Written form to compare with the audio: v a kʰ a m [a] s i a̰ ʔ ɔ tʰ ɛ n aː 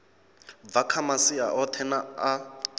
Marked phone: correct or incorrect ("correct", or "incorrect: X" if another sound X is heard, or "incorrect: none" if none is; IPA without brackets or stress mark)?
correct